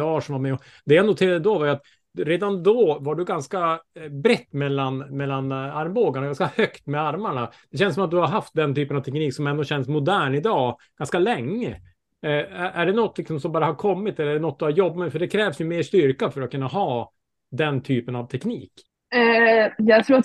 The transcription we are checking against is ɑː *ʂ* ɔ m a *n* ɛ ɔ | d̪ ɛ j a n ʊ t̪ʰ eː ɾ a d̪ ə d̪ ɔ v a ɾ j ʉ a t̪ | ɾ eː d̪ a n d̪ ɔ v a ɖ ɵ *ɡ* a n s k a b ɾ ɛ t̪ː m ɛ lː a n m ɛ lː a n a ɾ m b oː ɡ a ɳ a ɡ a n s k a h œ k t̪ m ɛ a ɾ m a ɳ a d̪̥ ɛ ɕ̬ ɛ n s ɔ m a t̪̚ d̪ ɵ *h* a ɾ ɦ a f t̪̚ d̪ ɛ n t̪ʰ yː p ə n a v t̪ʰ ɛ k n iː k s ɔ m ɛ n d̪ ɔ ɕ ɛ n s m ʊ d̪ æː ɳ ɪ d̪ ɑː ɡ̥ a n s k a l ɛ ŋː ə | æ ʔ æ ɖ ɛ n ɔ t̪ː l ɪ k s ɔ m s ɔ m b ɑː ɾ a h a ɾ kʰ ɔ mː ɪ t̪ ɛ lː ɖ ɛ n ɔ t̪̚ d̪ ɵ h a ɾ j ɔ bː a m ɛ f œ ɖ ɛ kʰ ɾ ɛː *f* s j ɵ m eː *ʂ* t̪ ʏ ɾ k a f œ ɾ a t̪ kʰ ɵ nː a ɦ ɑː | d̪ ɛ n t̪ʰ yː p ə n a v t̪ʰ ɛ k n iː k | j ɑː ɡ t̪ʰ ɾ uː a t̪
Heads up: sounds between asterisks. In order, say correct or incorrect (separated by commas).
correct, incorrect, correct, correct, incorrect, correct